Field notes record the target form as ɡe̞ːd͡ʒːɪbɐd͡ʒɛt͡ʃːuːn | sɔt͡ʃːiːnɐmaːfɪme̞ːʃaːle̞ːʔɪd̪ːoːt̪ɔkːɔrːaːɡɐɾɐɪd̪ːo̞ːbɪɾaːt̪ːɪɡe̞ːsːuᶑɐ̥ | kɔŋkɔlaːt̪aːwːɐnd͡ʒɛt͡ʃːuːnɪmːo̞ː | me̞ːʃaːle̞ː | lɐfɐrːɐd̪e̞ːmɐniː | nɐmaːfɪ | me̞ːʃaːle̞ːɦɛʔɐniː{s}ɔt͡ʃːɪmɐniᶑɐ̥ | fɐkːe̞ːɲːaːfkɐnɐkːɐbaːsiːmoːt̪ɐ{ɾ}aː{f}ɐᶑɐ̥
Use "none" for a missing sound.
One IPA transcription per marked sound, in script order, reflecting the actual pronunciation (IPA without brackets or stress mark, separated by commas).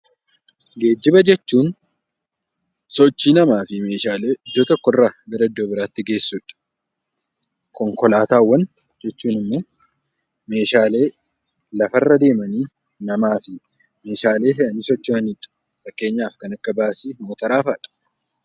s, ɾ, f